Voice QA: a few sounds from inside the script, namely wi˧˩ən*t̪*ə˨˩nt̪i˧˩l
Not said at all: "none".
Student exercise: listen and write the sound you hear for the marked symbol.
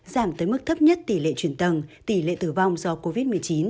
t̪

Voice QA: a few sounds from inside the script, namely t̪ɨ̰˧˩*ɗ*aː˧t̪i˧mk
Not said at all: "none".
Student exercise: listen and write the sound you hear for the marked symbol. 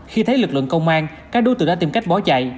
ɗ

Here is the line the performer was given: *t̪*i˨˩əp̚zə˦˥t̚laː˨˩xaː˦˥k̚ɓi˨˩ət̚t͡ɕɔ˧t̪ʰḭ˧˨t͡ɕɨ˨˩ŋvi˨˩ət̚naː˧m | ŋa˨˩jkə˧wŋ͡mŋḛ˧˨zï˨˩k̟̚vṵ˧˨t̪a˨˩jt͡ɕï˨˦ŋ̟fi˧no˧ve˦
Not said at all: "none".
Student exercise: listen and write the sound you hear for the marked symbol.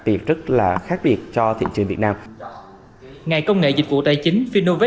t̪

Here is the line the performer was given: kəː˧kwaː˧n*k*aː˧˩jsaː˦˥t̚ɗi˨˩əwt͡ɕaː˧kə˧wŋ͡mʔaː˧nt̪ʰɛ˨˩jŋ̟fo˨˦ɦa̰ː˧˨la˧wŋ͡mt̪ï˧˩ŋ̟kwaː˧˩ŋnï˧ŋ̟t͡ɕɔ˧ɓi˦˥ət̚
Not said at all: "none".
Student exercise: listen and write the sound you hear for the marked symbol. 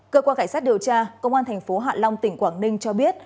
k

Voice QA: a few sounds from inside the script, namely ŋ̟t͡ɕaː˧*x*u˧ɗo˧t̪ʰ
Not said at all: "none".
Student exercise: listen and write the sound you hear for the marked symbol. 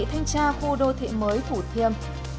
x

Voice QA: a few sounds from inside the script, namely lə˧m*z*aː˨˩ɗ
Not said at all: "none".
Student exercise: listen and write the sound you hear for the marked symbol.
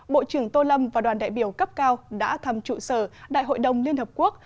v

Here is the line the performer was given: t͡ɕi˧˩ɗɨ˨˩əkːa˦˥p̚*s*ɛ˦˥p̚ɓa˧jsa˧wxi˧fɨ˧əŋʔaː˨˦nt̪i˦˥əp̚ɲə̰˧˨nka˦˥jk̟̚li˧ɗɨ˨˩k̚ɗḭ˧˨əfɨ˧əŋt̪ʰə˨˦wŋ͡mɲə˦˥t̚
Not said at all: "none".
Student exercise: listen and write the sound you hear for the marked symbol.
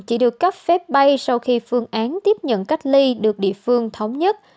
f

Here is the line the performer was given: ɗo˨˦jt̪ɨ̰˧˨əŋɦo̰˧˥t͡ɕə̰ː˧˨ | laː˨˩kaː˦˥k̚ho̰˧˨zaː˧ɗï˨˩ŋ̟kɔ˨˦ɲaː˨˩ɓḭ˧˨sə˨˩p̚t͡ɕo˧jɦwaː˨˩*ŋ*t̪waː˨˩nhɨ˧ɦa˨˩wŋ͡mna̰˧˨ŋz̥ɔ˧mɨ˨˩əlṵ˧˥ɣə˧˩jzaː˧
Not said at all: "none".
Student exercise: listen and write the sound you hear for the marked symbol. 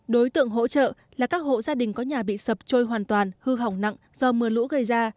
n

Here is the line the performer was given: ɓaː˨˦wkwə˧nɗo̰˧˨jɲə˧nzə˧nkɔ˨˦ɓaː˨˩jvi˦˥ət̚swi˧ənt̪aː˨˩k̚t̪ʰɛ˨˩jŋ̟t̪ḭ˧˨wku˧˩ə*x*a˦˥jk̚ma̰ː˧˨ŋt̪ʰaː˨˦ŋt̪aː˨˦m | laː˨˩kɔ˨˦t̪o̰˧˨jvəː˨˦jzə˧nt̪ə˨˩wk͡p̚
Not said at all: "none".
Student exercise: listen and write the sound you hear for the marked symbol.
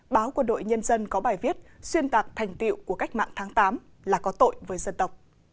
k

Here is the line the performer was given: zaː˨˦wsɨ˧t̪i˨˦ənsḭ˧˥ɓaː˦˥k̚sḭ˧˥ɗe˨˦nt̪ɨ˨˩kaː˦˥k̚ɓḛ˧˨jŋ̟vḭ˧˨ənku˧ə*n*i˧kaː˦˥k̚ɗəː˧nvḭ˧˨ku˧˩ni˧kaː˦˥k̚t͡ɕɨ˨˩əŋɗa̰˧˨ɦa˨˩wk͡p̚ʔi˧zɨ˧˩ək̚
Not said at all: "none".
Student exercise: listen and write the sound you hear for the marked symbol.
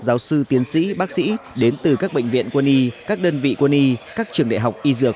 n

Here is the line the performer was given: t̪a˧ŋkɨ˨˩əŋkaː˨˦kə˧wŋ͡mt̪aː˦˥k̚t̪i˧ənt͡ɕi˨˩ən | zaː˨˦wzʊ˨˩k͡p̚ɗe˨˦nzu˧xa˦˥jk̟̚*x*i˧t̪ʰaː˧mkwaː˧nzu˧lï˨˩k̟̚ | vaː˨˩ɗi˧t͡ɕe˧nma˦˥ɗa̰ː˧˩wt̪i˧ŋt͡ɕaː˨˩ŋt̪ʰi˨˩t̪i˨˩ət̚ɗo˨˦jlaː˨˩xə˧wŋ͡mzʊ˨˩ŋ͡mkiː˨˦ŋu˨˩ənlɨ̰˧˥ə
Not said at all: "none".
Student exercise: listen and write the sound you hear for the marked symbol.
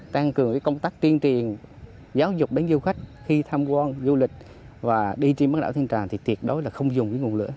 x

